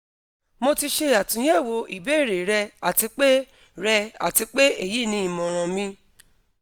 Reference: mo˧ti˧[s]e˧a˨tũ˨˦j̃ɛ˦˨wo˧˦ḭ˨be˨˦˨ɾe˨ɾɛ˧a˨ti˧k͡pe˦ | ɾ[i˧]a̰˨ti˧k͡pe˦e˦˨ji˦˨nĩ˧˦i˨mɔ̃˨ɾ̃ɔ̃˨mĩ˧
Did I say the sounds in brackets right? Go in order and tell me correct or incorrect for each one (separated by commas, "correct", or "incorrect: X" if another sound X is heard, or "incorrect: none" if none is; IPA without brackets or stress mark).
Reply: incorrect: ʃ, incorrect: ɛ˧